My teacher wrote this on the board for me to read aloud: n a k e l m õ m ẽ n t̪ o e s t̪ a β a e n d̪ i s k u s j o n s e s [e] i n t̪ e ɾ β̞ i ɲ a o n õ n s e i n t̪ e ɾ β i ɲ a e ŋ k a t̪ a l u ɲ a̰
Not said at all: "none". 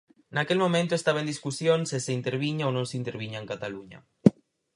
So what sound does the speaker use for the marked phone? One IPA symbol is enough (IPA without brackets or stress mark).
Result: e